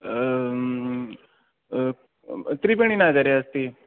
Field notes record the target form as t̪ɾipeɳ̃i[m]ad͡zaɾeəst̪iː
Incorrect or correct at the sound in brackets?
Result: incorrect: n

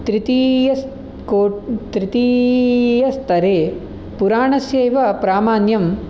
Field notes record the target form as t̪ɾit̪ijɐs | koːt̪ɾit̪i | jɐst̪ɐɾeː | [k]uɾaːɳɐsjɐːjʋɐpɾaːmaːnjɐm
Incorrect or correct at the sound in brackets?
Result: incorrect: p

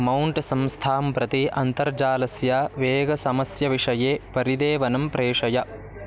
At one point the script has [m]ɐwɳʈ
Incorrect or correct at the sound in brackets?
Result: correct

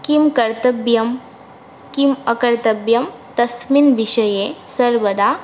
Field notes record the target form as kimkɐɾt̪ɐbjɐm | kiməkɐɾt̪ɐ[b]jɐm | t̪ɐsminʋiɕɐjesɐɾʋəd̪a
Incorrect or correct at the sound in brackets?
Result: correct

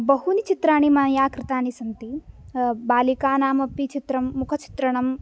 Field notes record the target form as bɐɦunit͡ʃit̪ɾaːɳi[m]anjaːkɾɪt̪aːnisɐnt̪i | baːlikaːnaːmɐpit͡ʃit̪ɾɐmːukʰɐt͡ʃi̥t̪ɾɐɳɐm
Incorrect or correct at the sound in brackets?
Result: correct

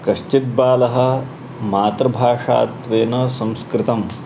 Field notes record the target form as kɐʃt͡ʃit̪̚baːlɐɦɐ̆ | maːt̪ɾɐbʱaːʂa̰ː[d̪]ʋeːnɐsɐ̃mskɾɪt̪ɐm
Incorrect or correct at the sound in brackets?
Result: incorrect: t̪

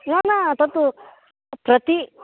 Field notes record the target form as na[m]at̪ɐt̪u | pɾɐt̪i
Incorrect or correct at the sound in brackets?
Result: incorrect: n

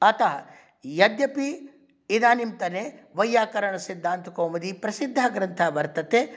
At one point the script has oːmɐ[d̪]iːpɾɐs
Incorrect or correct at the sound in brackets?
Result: correct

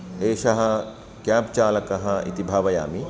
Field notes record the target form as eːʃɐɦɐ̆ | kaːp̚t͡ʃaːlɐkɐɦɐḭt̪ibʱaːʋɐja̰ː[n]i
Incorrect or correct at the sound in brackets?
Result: incorrect: m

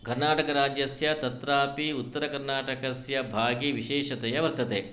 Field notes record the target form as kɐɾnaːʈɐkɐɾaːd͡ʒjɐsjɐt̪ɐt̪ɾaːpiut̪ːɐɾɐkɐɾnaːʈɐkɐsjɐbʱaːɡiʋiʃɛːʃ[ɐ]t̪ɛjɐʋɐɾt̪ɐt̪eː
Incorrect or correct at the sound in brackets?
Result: correct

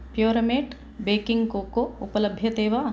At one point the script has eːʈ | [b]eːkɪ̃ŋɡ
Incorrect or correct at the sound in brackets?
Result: correct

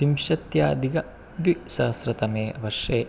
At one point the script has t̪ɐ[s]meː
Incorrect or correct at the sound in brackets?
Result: incorrect: none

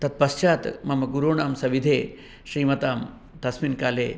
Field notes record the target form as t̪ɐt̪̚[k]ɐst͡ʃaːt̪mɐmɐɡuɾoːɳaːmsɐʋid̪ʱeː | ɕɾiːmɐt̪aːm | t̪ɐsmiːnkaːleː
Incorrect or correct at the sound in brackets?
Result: incorrect: p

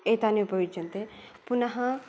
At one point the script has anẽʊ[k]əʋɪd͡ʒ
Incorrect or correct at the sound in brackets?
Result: incorrect: p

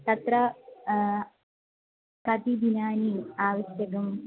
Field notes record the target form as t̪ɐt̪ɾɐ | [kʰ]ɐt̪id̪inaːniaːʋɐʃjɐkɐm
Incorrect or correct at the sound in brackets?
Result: incorrect: k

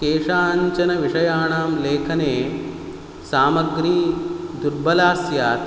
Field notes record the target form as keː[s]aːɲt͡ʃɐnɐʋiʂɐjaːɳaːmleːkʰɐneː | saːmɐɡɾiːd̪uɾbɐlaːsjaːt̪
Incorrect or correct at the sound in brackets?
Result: incorrect: ʂ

